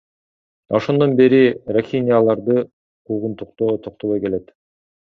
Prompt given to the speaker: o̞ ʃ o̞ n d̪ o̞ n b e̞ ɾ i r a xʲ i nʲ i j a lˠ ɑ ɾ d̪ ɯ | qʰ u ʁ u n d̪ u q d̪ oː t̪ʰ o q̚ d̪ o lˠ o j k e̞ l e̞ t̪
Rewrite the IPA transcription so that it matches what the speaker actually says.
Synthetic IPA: o̞ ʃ o̞ n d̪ o̞ n b e̞ ɾ i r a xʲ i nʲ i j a lˠ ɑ ɾ d̪ ɯ | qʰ u ʁ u n t̪ u q t̪ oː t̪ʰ o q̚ t̪ o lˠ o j k e̞ l e̞ t̪